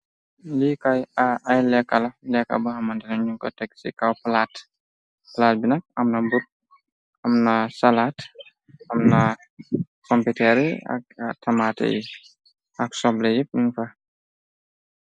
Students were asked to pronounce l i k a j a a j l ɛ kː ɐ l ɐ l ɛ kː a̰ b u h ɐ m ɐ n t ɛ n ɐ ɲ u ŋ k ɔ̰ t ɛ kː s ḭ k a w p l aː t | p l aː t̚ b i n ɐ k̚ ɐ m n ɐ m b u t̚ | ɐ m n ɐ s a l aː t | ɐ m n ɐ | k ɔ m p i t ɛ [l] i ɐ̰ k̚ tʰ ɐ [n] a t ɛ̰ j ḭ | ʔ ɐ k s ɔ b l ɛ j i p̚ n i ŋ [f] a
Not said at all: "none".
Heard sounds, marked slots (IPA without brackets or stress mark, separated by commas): ɾ, m, f